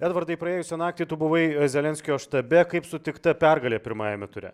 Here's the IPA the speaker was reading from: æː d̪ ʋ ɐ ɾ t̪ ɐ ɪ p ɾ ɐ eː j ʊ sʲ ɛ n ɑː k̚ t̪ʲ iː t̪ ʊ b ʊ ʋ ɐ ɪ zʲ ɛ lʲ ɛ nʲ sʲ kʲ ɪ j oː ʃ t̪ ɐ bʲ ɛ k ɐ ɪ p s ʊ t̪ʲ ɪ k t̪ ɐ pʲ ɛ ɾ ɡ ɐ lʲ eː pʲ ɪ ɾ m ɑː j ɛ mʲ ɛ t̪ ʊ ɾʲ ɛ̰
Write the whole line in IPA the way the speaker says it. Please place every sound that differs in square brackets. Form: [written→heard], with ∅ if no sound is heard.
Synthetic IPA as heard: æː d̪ ʋ ɐ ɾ [t̪→d̪] ɐ ɪ p ɾ ɐ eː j ʊ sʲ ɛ n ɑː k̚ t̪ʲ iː t̪ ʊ b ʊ ʋ ɐ ɪ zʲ ɛ lʲ ɛ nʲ sʲ kʲ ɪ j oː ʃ t̪ ɐ bʲ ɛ k ɐ ɪ p s ʊ t̪ʲ ɪ k t̪ ɐ pʲ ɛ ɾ ɡ ɐ lʲ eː pʲ ɪ ɾ m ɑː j ɛ mʲ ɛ t̪ ʊ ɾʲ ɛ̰